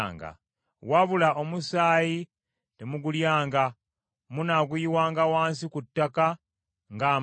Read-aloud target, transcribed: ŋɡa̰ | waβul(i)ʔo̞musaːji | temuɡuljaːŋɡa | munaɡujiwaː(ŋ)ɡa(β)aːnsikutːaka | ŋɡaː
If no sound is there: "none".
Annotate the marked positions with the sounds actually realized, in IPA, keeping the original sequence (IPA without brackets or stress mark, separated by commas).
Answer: a, ŋ, w